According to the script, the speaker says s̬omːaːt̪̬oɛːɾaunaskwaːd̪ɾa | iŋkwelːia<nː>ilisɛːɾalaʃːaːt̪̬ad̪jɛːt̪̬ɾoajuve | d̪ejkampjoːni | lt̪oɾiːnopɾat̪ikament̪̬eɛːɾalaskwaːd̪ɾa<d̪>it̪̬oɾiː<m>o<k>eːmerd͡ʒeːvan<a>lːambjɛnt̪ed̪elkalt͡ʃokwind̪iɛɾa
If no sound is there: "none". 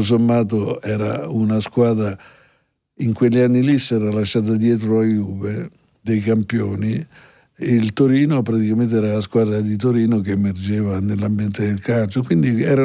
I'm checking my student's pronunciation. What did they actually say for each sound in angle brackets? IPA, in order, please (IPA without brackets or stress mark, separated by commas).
nː, d̪, n, k, e